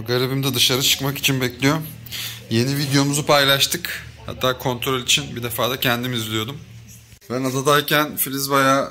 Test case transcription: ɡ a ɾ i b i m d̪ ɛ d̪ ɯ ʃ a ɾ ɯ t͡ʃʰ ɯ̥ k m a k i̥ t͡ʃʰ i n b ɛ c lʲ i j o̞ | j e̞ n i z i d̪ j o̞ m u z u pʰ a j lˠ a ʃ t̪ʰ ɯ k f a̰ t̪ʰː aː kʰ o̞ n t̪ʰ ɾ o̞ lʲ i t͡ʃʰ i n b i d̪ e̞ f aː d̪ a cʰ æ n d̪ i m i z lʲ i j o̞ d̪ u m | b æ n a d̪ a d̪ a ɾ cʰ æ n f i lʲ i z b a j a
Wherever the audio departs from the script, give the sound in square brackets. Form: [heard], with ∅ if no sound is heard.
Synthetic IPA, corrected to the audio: ɡ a ɾ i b i m d̪ ɛ d̪ ɯ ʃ a ɾ ɯ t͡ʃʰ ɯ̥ k m a k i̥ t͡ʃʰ i n b ɛ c lʲ i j o̞ | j e̞ n i [v] i d̪ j o̞ m u z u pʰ a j lˠ a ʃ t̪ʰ ɯ k [h] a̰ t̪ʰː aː kʰ o̞ n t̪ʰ ɾ o̞ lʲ i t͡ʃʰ i n b i d̪ e̞ f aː d̪ a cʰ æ n d̪ i m i z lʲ i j o̞ d̪ u m | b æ n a d̪ a d̪ a ɾ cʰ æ n f i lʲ i z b a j a